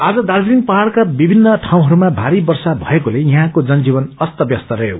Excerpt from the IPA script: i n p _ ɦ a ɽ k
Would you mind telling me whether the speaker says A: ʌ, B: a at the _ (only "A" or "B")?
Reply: A